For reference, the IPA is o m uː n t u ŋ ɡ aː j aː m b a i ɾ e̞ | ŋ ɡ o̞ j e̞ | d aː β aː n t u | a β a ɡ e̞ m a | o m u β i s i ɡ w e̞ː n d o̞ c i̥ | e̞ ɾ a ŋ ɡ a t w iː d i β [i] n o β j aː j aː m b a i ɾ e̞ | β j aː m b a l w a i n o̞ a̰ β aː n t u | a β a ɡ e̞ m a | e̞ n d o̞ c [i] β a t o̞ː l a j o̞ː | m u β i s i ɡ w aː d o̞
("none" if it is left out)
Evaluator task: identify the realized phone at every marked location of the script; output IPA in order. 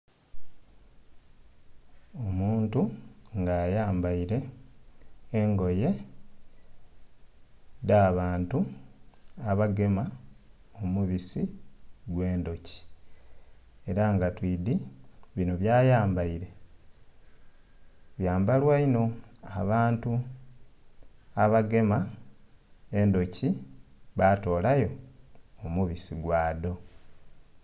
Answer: i, i

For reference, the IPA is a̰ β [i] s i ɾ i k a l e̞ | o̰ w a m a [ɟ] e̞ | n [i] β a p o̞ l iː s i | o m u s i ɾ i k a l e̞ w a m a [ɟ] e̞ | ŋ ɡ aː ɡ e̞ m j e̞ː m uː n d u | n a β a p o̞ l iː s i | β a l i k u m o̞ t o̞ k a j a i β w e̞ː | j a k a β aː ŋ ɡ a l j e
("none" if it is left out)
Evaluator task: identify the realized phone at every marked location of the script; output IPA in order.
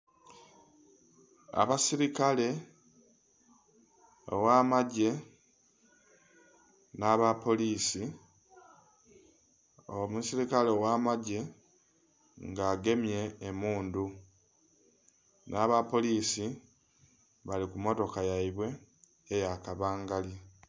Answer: a, ɟ, a, ɟ

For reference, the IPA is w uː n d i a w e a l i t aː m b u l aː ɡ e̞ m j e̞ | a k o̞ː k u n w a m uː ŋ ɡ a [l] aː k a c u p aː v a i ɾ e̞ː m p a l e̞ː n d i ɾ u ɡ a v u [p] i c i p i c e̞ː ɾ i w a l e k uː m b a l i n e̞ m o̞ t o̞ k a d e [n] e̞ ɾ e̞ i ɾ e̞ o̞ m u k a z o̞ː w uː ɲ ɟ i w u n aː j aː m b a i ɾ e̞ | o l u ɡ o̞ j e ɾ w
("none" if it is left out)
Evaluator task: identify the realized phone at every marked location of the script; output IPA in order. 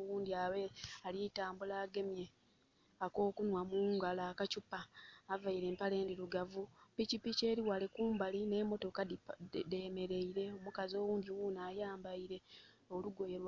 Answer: l, p, m

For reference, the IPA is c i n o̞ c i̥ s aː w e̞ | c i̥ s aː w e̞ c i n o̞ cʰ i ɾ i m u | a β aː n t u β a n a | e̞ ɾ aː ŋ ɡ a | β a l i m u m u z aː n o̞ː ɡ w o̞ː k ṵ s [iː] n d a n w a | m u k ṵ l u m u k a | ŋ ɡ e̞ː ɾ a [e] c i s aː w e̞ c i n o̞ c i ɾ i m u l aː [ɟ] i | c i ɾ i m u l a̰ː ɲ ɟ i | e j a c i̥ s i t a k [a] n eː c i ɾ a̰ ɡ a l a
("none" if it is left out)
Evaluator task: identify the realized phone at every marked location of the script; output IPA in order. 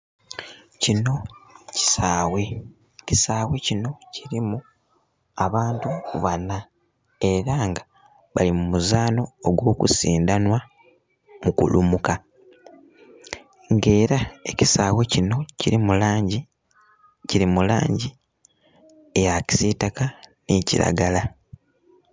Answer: iː, e, ɟ, a

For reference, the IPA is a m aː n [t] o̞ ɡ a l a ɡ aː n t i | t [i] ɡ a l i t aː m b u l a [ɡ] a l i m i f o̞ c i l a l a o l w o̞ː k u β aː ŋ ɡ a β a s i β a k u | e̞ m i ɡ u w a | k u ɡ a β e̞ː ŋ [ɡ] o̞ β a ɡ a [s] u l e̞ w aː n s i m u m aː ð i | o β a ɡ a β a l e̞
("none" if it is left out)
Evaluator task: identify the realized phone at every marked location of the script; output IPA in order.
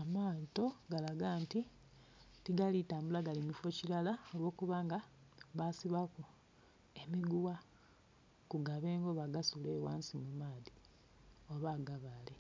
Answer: t, i, ɡ, ɡ, s

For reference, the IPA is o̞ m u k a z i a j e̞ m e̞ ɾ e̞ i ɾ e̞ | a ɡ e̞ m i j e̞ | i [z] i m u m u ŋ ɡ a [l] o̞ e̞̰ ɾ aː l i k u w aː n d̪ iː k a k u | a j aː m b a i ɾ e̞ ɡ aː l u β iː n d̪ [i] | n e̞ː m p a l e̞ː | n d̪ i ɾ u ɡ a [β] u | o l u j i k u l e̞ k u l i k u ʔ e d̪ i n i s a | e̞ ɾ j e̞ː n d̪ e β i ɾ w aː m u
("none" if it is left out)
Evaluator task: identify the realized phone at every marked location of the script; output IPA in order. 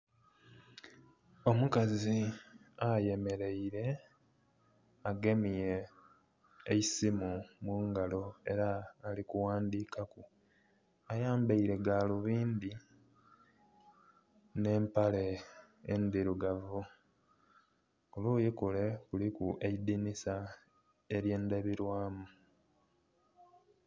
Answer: s, l, i, v

